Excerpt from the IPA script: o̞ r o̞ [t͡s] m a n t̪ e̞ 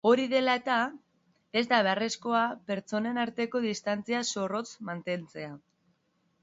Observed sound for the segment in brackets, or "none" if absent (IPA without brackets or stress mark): t͡s